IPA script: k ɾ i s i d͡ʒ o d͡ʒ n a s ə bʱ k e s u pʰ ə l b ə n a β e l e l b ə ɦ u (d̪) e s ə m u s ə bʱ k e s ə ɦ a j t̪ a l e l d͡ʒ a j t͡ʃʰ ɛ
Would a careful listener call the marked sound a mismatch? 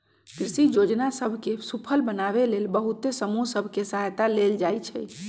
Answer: yes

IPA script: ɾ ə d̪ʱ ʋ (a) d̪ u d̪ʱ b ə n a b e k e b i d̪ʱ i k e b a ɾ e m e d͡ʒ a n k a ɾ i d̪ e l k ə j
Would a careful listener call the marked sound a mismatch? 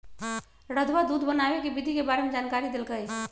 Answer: no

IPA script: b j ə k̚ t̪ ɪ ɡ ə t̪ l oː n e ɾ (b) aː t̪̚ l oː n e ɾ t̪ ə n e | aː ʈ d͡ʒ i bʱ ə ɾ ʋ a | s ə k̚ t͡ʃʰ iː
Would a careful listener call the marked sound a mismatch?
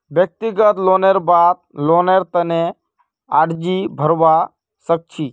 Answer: no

